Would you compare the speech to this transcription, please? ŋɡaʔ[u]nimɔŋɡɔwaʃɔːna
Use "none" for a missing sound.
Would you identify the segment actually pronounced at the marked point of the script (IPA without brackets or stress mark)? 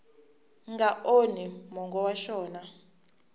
o